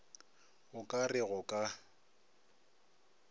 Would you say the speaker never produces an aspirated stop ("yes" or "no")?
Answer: yes